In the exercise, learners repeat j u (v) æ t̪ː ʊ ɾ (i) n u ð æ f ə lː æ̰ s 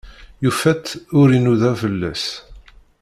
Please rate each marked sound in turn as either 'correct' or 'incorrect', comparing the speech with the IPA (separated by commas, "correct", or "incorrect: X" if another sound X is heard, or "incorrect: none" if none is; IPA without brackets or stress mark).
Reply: incorrect: f, correct